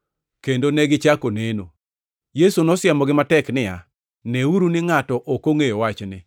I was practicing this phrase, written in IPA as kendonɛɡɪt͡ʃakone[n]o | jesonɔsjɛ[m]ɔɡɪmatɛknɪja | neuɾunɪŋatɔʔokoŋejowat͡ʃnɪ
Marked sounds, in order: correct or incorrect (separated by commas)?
correct, correct